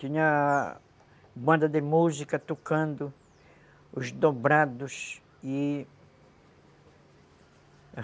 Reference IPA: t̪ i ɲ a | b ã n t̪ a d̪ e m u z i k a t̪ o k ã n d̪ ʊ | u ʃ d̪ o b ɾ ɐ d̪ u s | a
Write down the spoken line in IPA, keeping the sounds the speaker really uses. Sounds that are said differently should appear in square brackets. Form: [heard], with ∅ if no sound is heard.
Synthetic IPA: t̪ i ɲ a | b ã n [d̪] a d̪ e m u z i k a t̪ o k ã n d̪ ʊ | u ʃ d̪ o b ɾ [a] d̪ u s | [i]